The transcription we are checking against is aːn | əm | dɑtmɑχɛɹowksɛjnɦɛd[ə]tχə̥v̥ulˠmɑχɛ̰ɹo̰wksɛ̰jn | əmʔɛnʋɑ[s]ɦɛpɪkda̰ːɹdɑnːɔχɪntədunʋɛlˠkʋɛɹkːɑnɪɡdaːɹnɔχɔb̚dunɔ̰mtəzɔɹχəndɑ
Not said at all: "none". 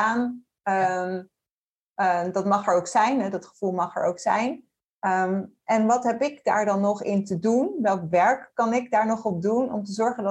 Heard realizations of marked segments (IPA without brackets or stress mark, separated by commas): ɑ, t